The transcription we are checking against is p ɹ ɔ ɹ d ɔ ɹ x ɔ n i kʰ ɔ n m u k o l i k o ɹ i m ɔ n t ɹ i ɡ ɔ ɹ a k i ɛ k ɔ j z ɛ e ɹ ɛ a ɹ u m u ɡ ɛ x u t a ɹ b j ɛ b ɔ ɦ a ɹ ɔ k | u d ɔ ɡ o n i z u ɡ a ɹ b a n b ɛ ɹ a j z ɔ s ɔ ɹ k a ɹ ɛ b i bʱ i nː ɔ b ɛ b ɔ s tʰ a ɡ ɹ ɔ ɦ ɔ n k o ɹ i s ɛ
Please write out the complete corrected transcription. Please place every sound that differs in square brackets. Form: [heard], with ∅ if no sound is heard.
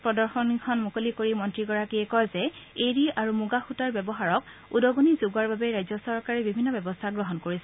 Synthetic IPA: p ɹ ɔ [∅] d ɔ ɹ x ɔ n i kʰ ɔ n m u k o l i k o ɹ i m ɔ n t ɹ i ɡ ɔ ɹ a k i ɛ k ɔ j z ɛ e ɹ [i] a ɹ u m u ɡ [a] x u t a ɹ b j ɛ b ɔ ɦ a ɹ ɔ k | u d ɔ ɡ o n i z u ɡ a ɹ b a [∅] b ɛ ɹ a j z ɔ s ɔ ɹ k a ɹ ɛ b i bʱ i nː ɔ b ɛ b ɔ s tʰ a ɡ ɹ ɔ ɦ ɔ n k o ɹ i s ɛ